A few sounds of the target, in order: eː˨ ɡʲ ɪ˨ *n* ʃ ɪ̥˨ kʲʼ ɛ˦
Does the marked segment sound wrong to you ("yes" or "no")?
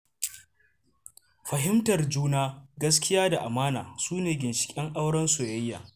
no